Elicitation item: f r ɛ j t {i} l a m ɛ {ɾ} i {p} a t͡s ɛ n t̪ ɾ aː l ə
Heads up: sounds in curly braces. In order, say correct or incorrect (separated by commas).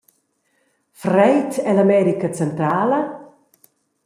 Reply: incorrect, correct, incorrect